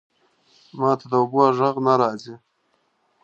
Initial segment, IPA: m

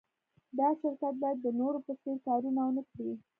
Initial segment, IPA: d̪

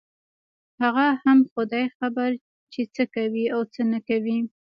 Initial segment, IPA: h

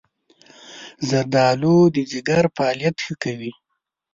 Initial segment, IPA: z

